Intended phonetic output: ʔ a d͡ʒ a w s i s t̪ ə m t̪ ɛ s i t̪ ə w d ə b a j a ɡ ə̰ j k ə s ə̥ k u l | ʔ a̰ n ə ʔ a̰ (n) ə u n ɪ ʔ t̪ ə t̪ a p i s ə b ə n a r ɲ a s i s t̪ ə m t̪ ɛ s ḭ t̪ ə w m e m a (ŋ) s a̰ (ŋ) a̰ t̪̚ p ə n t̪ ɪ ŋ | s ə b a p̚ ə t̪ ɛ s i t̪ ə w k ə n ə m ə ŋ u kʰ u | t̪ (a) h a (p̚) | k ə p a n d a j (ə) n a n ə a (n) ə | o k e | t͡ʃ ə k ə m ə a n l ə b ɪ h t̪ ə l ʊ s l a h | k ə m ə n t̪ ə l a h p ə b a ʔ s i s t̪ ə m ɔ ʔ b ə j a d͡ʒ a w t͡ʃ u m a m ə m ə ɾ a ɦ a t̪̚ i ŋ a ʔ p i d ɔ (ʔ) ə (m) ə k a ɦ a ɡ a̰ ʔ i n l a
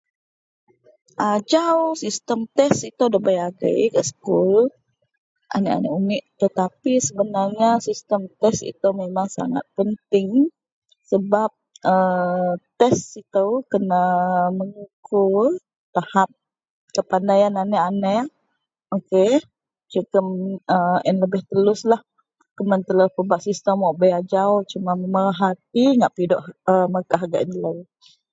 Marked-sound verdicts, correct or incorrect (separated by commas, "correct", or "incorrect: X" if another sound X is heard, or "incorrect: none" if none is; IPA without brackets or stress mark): correct, correct, correct, correct, correct, incorrect: a, correct, correct, correct